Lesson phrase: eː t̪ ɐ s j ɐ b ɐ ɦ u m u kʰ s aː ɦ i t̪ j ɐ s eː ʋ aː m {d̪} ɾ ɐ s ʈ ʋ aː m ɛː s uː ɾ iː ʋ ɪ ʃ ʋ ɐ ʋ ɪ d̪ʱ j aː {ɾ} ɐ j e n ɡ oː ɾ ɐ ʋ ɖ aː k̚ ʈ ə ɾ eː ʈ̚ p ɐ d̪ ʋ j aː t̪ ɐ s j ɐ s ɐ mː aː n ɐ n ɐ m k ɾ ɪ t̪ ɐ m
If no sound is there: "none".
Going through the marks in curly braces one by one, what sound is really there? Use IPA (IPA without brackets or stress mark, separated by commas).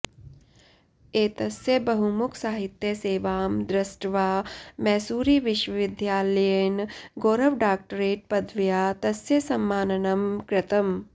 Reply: d̪, l